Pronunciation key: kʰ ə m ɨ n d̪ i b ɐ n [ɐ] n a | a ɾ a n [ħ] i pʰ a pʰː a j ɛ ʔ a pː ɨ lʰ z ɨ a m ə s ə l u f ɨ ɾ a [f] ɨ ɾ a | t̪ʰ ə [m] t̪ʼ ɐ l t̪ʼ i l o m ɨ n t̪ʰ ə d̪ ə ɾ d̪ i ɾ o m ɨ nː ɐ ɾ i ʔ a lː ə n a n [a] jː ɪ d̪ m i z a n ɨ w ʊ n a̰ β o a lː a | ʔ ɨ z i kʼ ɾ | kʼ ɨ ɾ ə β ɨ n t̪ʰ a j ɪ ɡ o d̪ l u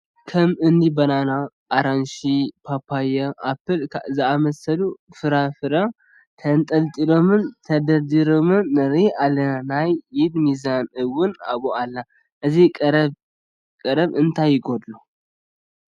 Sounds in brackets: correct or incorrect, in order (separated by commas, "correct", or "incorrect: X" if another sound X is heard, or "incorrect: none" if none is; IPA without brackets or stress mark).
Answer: incorrect: a, incorrect: ʃ, correct, incorrect: n, correct